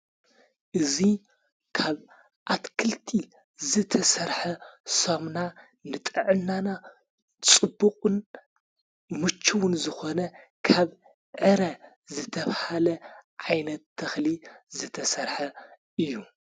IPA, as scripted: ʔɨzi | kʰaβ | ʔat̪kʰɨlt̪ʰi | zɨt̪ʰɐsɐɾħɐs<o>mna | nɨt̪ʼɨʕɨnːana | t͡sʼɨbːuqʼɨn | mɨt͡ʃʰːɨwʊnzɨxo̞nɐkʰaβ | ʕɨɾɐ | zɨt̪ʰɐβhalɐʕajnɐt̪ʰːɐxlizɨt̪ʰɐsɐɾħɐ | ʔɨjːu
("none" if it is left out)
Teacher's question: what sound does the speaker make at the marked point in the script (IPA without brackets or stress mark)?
o